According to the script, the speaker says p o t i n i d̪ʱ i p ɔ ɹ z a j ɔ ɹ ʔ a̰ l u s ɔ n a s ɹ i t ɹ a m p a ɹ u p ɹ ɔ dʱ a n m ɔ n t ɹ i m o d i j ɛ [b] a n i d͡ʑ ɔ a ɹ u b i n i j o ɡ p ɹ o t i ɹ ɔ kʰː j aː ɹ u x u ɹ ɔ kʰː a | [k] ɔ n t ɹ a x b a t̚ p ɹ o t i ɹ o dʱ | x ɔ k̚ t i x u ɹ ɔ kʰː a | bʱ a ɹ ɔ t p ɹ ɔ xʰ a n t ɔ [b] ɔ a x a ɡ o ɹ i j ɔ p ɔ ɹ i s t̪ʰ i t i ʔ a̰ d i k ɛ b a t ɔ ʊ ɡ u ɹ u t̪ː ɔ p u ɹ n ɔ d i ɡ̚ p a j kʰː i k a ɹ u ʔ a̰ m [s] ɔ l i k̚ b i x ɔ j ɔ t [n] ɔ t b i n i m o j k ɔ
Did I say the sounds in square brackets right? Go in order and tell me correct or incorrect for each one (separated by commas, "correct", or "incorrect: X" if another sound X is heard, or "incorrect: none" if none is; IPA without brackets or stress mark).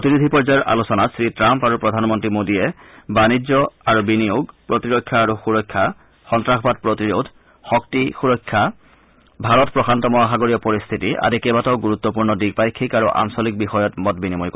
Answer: correct, incorrect: x, incorrect: m, correct, incorrect: m